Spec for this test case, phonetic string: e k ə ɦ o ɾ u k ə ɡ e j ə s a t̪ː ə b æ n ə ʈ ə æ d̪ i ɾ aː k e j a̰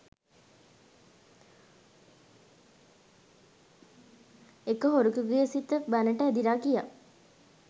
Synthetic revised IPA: e k ə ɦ o ɾ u k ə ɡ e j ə s i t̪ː ə b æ n ə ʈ ə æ d̪ i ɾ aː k i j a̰

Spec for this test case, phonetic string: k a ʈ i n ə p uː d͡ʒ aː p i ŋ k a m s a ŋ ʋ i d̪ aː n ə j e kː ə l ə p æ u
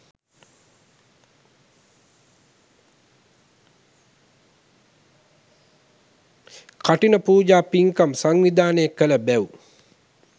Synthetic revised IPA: k a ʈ i n ə p uː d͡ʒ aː p i ŋ k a m s a ŋ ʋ i d̪ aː n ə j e kː ə l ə b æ u

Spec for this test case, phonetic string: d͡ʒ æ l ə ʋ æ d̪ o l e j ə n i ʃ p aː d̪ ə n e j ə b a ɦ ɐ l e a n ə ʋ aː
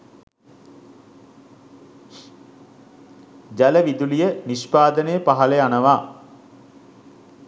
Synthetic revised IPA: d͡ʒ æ l ə ʋ i d̪ u l i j ə n i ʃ p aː d̪ ə n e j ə p a ɦ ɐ l e a n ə ʋ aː

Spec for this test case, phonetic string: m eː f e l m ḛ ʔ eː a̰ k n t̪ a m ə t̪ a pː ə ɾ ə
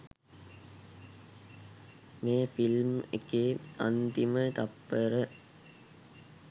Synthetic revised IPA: m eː f i l m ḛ k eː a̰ n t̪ i m ə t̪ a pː ə ɾ ə

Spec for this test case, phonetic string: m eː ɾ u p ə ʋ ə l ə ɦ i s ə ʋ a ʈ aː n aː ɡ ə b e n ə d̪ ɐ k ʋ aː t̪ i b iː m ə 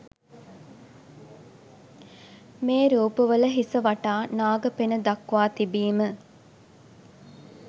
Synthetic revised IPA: m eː ɾ uː p ə ʋ ə l ə ɦ i s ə ʋ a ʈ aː n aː ɡ ə p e n ə d̪ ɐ k ʋ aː t̪ i b iː m ə

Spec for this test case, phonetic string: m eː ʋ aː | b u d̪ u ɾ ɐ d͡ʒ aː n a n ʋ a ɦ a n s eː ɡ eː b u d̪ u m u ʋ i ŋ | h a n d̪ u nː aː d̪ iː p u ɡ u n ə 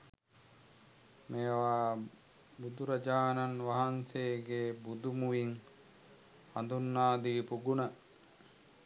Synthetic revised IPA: m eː ʋ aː | b u d̪ u ɾ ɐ d͡ʒ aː n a n ʋ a ɦ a n s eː ɡ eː b u d̪ u m u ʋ i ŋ | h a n d̪ u nː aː d̪ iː p u ɡ u n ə

